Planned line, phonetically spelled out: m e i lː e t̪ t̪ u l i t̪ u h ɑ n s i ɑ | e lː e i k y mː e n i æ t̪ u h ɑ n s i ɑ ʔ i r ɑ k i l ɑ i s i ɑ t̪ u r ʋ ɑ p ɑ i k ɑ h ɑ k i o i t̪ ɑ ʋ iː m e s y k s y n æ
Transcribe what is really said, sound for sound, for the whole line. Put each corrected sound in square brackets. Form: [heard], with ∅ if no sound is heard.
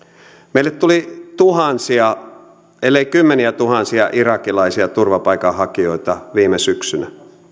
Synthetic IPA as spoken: m e i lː e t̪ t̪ u l i t̪ u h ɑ n s i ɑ | e lː e i k y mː e n i æ t̪ u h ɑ n s i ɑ ʔ i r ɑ k i l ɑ i s i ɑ t̪ u r ʋ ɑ p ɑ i k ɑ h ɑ k i o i t̪ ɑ ʋ iː m e s y k s y n æ